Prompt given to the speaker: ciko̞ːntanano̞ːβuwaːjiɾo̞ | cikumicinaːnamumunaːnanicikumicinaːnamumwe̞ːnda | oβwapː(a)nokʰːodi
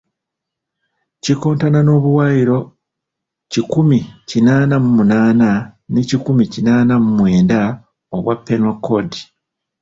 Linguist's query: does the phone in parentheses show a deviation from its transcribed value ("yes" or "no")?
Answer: yes